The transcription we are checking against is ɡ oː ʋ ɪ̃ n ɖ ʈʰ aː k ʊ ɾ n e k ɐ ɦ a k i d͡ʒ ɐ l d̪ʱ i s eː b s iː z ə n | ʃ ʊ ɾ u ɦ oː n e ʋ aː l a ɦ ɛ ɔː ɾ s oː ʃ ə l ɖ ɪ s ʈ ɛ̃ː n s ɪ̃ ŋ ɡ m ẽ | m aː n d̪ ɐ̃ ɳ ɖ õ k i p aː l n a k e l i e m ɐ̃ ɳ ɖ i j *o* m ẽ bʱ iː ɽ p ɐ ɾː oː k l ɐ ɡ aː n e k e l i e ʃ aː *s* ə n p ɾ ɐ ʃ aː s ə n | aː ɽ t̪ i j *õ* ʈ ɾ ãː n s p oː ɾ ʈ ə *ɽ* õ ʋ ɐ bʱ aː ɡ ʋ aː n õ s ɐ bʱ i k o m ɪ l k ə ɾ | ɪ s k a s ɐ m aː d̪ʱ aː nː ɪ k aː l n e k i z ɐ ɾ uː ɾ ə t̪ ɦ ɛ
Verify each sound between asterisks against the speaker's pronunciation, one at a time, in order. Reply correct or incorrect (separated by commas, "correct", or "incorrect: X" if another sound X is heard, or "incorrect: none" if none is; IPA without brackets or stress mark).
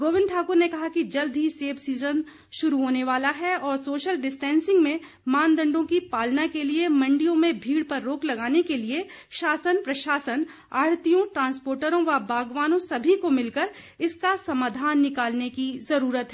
incorrect: õ, correct, correct, incorrect: ɾ